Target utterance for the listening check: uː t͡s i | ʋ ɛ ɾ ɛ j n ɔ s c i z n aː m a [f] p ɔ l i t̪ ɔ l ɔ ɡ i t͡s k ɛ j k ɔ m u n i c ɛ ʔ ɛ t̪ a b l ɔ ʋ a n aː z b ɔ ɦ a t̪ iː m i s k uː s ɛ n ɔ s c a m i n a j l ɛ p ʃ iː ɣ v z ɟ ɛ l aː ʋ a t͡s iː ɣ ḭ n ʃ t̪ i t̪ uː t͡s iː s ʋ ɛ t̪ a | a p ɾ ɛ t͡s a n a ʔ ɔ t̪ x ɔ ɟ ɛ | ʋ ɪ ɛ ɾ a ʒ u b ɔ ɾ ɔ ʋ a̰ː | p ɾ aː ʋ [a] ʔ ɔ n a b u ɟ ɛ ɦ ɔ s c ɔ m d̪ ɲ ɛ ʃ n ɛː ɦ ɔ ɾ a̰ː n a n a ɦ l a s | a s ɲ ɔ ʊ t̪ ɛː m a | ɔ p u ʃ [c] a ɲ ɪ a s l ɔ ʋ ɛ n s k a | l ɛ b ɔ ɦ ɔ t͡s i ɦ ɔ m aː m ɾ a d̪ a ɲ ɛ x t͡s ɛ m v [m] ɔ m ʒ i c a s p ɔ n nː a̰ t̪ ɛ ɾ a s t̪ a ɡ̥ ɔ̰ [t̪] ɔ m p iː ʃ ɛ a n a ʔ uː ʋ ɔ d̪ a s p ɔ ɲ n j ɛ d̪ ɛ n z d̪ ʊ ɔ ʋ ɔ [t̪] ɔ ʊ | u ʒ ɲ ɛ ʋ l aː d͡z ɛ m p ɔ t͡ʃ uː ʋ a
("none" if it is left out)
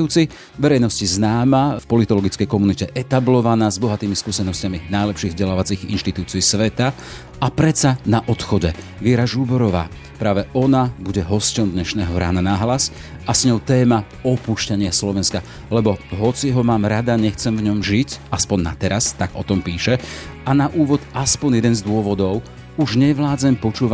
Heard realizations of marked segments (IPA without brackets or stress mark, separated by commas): f, ɛ, c, ɲ, t̪, d̪